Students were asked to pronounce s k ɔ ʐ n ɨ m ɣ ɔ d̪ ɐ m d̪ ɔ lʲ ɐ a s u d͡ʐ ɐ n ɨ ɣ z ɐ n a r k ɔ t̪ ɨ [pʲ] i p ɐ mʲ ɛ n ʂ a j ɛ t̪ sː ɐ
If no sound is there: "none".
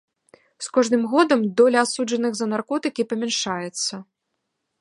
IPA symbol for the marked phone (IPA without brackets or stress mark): kʲ